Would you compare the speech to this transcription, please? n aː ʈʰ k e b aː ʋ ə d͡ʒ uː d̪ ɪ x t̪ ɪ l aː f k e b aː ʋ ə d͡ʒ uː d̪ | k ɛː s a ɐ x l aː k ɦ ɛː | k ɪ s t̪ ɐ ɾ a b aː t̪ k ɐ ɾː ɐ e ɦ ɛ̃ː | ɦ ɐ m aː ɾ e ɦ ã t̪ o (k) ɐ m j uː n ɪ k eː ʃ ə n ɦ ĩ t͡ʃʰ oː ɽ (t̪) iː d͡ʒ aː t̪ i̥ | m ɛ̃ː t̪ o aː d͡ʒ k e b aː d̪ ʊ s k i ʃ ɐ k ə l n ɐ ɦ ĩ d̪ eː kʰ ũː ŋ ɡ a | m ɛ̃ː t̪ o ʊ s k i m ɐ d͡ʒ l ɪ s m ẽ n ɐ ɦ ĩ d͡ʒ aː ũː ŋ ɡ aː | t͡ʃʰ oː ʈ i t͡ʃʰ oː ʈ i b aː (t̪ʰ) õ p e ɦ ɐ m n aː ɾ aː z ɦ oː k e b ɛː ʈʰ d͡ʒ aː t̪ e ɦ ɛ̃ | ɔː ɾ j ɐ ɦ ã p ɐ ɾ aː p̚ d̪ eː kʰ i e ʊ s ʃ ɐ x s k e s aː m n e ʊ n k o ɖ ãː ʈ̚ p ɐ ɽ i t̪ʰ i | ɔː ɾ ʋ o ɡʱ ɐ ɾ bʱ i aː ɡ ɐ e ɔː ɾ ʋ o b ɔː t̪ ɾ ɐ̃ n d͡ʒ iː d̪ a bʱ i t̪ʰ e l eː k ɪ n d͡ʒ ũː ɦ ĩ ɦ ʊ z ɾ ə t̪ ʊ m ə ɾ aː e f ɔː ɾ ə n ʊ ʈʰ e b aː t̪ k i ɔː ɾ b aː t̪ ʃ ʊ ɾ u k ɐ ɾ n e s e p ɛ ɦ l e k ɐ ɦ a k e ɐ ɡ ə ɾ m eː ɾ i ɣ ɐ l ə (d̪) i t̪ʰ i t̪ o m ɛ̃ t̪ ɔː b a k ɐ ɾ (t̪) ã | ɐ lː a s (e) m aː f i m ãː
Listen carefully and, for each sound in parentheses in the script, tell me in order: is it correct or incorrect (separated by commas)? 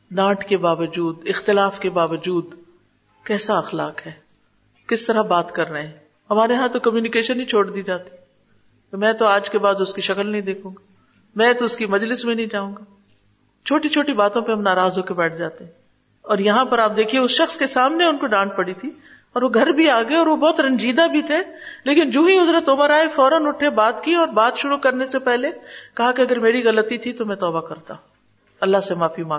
correct, incorrect, incorrect, incorrect, correct, correct